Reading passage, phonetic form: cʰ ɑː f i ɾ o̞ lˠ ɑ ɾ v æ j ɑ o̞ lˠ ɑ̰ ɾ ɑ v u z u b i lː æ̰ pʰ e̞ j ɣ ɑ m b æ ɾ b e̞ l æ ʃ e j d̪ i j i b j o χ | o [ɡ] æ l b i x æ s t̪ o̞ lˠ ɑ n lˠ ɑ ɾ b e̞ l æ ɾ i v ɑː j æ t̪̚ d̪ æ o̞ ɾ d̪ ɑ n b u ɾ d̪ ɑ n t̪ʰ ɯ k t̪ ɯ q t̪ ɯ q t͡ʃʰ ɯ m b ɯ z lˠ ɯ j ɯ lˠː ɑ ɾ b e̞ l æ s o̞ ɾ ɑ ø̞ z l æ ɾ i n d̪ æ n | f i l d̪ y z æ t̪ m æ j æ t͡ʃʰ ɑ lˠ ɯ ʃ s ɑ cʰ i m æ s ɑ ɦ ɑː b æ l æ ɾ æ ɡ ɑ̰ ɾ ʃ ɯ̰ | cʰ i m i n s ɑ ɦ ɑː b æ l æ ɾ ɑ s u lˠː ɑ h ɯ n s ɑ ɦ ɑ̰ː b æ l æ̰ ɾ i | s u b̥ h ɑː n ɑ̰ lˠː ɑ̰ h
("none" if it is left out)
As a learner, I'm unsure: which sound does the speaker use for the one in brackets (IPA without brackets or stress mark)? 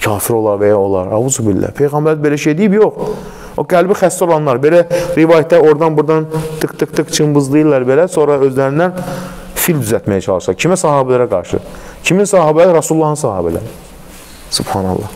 ɡ